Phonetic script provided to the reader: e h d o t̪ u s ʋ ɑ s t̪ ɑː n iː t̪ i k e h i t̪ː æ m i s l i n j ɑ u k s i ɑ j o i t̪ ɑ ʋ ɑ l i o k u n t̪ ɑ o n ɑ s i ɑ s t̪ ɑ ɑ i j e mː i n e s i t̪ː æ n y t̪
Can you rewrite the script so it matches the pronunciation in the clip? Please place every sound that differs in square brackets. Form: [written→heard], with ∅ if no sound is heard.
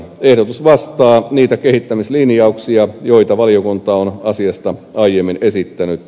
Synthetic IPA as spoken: e h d o t̪ u s ʋ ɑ s t̪ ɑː n iː t̪ [i→æ] k e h i t̪ː æ m i s l i n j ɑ u k s i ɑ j o i t̪ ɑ ʋ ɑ l i o k u n t̪ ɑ o n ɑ s i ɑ s t̪ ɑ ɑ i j e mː i n e s i t̪ː æ n y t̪